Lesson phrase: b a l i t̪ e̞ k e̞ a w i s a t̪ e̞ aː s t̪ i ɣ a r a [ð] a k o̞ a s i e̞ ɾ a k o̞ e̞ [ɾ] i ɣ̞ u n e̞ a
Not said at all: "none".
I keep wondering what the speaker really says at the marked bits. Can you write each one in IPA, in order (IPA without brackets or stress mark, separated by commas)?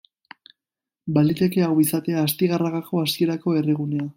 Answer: ɣ, r